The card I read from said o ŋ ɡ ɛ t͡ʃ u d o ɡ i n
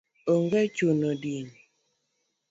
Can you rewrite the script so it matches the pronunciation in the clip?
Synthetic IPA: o ŋ ɡ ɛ t͡ʃ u n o d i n

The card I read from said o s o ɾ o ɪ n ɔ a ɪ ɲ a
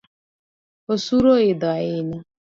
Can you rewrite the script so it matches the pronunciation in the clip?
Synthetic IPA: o s u ɾ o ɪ d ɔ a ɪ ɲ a

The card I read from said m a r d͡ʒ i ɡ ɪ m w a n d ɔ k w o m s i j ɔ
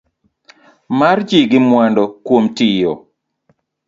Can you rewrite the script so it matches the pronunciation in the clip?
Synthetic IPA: m a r d͡ʒ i ɡ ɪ m w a n d ɔ k w o m t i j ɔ

